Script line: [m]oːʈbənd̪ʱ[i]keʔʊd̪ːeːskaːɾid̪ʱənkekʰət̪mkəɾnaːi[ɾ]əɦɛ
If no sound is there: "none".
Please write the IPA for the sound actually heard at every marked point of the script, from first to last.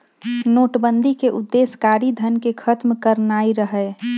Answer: n, i, ɾ

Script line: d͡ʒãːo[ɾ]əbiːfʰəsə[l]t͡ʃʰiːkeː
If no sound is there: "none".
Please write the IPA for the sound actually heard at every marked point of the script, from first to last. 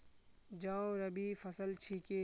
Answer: ɾ, l

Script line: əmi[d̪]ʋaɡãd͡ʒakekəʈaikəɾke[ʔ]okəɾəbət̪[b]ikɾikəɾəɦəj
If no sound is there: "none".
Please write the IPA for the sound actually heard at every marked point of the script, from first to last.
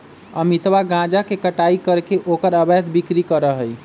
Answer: t̪, ʔ, b

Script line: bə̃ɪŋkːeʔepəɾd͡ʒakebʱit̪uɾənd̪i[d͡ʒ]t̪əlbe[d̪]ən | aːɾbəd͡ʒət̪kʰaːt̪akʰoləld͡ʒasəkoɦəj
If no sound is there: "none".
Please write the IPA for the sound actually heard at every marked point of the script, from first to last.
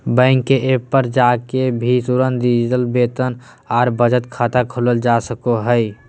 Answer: d͡ʒ, t̪

